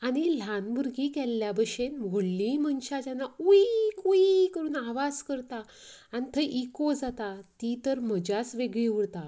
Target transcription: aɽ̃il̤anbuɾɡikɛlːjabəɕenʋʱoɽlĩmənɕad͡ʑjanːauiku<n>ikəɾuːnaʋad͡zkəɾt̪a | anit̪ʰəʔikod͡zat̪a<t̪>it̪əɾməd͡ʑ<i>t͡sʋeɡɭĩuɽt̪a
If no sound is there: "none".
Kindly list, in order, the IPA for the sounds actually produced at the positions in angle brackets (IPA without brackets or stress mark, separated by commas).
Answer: none, t̪, a